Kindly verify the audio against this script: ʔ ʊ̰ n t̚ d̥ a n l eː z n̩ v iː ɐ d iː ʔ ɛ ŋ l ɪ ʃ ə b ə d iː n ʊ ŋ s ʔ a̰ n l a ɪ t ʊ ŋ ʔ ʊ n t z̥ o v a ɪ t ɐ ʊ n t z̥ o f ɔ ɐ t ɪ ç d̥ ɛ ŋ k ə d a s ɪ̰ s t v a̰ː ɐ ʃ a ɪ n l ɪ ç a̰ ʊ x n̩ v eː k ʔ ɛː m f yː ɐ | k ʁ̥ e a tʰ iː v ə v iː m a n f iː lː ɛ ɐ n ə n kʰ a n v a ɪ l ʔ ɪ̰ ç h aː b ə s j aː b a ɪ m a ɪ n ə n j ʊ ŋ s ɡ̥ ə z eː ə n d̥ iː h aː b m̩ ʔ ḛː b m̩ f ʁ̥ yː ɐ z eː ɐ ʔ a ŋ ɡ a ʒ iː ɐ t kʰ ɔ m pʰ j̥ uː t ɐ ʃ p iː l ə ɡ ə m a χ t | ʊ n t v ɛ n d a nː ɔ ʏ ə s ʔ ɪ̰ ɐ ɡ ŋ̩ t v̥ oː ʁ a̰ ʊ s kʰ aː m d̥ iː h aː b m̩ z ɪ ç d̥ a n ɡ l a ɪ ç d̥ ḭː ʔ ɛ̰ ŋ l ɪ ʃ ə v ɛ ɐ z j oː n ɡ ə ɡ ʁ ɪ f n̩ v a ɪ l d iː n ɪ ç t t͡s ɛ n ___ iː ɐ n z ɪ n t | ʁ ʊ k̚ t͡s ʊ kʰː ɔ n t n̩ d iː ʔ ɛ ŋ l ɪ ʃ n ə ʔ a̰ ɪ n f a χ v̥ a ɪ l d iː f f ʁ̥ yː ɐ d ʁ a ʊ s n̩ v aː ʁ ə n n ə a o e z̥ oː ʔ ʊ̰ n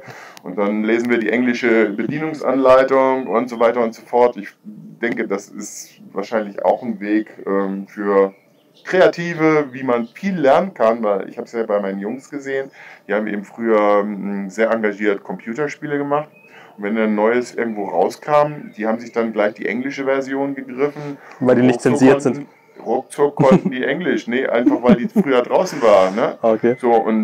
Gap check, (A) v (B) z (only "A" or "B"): B